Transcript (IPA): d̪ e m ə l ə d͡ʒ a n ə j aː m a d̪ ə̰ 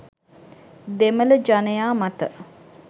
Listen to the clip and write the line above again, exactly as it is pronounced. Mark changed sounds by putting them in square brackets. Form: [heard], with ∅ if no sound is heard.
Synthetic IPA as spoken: d̪ e m ə l ə d͡ʒ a n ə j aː m a [t̪] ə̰